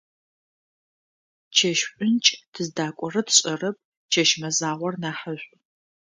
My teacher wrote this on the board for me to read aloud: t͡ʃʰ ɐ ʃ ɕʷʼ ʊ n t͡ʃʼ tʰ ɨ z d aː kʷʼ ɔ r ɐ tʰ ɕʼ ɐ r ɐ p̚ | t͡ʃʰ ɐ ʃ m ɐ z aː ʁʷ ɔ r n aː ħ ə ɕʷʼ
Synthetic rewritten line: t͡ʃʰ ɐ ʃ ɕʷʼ ʊ n t͡ʃʼ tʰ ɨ z d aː kʷʼ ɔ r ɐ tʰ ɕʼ ɐ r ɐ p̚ | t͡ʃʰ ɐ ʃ m ɐ z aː ʁʷ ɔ r n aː ħ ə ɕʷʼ